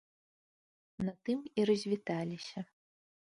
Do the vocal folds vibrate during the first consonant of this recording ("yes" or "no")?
yes